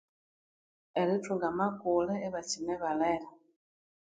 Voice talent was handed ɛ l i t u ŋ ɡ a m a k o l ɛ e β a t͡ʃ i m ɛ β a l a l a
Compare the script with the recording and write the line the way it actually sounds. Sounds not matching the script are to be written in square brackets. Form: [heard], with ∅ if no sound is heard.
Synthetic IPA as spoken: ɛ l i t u ŋ ɡ a m a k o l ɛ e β a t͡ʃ i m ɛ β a l [ɛ] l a